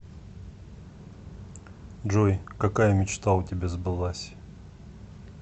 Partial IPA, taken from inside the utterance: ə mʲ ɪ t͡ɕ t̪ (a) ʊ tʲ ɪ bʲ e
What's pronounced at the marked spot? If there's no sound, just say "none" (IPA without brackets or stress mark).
a